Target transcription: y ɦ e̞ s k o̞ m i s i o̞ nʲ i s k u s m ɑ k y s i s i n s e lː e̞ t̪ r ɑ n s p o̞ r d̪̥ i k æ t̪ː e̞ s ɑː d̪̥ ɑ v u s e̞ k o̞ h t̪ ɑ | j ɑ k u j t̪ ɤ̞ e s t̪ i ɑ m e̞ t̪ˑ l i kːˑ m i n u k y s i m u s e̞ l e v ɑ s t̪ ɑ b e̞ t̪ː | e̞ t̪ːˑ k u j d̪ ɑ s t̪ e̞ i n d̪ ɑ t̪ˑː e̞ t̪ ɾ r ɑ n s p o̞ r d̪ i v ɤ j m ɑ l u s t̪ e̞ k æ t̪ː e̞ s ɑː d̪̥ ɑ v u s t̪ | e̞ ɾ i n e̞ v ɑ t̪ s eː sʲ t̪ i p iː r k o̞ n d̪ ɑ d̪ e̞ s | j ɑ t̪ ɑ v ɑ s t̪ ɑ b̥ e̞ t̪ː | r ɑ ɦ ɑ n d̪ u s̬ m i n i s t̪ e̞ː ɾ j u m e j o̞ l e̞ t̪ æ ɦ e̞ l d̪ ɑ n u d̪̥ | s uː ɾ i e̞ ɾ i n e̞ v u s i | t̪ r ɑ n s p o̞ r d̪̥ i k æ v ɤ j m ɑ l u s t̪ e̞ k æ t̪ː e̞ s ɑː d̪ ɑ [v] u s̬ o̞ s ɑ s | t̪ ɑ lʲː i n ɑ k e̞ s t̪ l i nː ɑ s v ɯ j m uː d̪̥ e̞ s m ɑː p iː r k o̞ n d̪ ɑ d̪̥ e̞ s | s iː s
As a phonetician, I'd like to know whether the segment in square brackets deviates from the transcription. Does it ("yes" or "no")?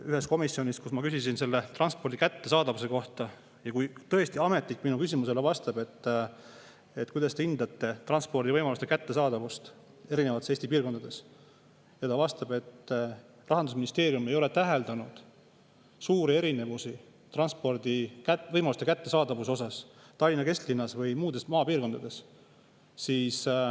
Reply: no